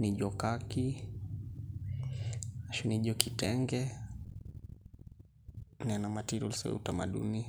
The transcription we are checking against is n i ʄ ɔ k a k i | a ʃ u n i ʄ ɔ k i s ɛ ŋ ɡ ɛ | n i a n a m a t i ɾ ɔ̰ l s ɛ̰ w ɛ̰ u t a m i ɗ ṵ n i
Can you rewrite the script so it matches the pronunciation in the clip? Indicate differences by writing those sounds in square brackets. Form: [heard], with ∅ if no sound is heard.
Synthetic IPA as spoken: n i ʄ ɔ k a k i | a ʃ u n i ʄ ɔ k i [t] ɛ ŋ ɡ ɛ | n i a n a m a t i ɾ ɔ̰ l s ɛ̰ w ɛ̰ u t a m [a] ɗ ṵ n i